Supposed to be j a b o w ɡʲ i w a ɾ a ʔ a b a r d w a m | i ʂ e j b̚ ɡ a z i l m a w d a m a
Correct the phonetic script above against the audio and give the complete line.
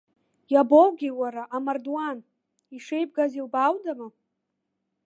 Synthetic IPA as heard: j a b o w ɡʲ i w a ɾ a ʔ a m a r d w a n | i ʂ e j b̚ ɡ a z i l b a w d a m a